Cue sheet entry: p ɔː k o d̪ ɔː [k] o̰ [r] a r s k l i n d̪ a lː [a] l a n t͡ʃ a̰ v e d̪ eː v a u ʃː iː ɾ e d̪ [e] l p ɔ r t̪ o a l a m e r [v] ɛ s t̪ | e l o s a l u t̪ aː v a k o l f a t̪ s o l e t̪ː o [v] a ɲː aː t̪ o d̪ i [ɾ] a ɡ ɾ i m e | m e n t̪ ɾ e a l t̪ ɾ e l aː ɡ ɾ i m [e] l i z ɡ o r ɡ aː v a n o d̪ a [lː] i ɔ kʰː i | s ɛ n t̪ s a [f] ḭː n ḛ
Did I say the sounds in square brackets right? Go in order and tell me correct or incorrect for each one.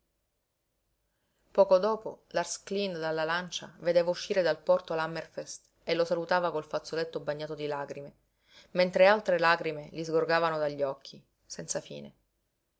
incorrect: p, incorrect: l, correct, incorrect: a, incorrect: f, incorrect: b, incorrect: l, correct, incorrect: ʎː, correct

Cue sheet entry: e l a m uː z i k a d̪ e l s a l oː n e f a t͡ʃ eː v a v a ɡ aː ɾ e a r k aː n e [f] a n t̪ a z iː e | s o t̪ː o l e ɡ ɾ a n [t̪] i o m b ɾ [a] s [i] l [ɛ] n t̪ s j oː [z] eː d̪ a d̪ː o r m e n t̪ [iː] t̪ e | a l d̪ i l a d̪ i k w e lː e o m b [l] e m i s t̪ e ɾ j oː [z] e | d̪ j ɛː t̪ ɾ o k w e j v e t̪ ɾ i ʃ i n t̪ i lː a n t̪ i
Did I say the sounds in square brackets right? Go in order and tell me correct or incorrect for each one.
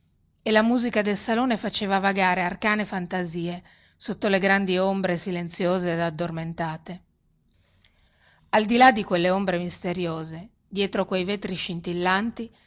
correct, incorrect: d̪, incorrect: e, correct, incorrect: e, correct, incorrect: aː, incorrect: ɾ, correct

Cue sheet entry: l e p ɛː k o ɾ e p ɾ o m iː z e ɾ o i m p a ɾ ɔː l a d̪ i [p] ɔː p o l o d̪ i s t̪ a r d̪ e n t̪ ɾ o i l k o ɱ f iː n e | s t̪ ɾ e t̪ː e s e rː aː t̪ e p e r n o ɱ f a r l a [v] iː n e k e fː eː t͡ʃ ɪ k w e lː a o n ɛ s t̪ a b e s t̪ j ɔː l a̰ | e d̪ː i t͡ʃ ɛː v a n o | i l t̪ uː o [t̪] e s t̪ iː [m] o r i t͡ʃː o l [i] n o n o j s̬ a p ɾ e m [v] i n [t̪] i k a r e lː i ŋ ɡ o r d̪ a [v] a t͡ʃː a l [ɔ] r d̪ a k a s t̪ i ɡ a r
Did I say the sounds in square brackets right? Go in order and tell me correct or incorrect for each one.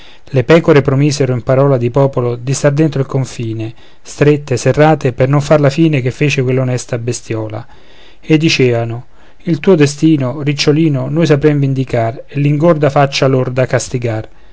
correct, incorrect: f, incorrect: d̪, incorrect: n, incorrect: iː, correct, incorrect: d̪, incorrect: f, incorrect: o

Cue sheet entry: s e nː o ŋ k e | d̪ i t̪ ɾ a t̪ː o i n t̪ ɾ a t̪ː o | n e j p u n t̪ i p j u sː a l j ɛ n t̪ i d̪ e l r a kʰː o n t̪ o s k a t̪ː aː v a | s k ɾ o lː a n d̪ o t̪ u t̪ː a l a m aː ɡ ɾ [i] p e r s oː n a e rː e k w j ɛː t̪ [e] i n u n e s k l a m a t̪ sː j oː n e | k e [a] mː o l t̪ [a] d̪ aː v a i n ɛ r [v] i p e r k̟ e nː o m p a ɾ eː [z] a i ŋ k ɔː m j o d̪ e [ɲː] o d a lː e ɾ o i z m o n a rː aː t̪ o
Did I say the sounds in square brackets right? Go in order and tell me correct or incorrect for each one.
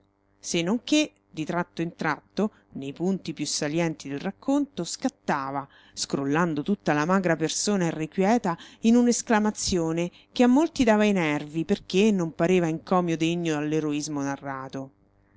incorrect: a, incorrect: a, correct, incorrect: i, correct, incorrect: v, correct

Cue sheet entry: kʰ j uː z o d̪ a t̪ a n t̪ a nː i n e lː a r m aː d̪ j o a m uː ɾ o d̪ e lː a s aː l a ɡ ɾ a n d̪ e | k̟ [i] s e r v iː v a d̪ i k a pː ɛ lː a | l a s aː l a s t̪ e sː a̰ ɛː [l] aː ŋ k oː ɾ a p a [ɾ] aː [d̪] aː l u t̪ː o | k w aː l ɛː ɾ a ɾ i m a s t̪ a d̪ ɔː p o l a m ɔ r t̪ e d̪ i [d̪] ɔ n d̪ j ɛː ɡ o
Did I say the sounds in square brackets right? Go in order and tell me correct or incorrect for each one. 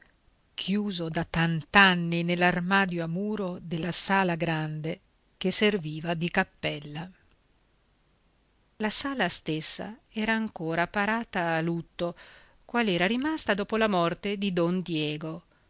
incorrect: e, incorrect: ɾ, correct, incorrect: t̪, correct

